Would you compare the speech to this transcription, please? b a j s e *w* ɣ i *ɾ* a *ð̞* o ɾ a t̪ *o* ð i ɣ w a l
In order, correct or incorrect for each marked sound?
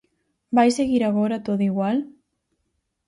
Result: incorrect: none, correct, incorrect: ɣ̞, correct

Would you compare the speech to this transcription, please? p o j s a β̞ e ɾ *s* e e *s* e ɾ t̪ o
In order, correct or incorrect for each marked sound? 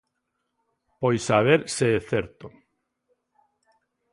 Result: correct, incorrect: θ

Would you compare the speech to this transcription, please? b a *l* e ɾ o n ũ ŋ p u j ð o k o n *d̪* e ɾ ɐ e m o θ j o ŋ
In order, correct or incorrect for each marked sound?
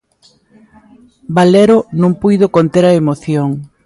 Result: correct, incorrect: t̪

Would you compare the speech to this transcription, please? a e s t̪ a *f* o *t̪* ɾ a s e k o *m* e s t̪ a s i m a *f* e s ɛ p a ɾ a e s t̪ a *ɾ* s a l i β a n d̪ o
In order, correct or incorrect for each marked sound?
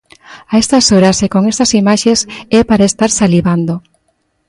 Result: incorrect: s, incorrect: none, incorrect: ŋ, incorrect: ʃ, correct

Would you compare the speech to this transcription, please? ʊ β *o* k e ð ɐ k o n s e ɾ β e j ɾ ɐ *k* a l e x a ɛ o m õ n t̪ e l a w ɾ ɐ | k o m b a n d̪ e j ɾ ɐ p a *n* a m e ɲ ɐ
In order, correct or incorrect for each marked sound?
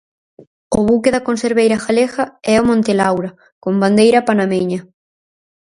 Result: incorrect: u, incorrect: x, correct

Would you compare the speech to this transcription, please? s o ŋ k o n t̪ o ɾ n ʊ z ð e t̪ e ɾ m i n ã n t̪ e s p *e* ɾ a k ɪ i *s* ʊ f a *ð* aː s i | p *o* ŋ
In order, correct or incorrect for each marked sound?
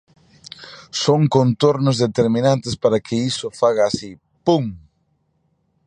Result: incorrect: a, correct, incorrect: ɣ, incorrect: u

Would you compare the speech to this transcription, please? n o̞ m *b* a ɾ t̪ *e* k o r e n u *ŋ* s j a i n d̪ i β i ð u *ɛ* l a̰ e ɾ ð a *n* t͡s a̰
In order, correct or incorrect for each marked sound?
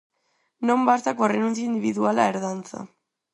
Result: correct, incorrect: a, incorrect: n, incorrect: a, correct

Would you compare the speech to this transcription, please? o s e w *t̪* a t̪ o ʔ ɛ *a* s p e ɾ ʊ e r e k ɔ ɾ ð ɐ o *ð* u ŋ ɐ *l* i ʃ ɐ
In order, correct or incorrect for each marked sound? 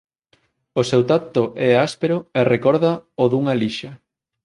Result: correct, correct, correct, correct

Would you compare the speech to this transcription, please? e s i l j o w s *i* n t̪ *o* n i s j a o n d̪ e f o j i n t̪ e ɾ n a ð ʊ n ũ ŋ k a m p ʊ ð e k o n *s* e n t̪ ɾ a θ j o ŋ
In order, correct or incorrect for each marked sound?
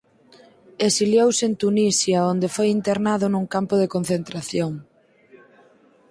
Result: incorrect: e, incorrect: u, incorrect: θ

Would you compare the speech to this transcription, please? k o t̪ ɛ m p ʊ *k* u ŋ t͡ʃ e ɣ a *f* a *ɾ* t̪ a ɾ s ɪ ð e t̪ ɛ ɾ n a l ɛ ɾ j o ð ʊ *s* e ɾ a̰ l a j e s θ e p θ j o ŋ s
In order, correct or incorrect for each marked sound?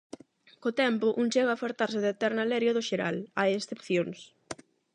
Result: incorrect: ʔ, correct, correct, incorrect: ʃ

